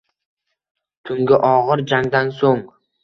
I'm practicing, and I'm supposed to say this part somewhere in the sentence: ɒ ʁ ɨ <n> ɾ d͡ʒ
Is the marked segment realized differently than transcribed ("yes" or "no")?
yes